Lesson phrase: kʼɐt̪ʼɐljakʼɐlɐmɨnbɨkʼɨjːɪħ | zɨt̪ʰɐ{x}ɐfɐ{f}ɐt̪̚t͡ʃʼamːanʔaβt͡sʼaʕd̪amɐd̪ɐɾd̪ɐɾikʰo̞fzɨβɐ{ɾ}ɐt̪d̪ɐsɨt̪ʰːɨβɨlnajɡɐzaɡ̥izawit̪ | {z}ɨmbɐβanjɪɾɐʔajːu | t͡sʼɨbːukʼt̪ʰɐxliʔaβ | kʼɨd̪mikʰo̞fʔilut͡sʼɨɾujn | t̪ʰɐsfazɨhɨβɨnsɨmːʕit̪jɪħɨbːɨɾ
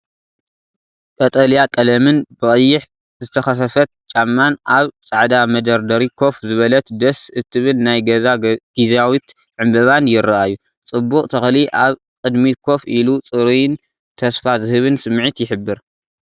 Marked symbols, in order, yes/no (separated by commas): yes, yes, no, no